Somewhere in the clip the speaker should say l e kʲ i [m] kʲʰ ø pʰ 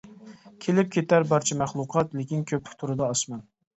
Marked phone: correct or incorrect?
incorrect